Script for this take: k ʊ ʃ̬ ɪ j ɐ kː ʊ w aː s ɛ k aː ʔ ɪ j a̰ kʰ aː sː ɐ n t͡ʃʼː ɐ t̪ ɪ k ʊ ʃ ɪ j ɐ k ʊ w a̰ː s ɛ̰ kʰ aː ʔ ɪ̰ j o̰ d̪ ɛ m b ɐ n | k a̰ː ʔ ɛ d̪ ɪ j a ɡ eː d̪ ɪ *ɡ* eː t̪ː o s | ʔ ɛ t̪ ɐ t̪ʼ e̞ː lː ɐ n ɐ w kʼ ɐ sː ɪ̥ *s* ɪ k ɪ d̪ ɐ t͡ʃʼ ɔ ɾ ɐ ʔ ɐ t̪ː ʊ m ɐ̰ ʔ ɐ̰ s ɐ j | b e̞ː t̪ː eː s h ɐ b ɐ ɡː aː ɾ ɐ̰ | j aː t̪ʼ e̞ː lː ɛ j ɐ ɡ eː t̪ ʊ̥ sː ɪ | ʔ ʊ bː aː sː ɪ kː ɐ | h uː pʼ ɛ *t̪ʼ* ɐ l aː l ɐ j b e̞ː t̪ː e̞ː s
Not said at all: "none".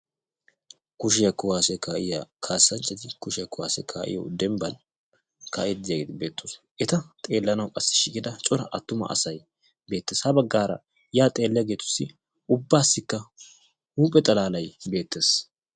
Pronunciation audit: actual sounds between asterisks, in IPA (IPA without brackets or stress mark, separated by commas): b, ʃ, t̪ʼ